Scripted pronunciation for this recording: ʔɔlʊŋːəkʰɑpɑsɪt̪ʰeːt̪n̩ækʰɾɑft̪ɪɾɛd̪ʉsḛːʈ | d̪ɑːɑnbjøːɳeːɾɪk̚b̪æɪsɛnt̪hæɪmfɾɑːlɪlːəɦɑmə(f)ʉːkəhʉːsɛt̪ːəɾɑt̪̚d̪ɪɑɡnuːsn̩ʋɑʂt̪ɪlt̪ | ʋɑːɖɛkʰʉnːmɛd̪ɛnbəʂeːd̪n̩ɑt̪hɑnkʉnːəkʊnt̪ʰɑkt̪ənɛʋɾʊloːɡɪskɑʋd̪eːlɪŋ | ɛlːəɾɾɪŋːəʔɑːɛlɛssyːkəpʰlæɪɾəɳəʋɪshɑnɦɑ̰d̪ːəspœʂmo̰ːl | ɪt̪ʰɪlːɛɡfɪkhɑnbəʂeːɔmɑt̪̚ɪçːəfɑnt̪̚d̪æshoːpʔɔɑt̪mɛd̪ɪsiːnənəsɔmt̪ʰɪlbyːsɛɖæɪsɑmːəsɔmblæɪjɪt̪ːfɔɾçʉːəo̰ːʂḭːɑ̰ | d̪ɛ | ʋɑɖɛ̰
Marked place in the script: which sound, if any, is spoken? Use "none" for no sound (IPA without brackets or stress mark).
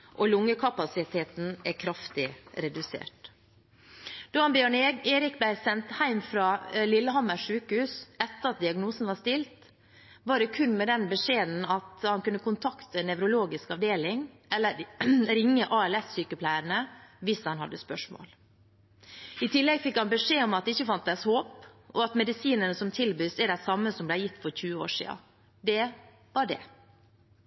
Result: ʂ